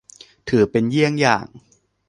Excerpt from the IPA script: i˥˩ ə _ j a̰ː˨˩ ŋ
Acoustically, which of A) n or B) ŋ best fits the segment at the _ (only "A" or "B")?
B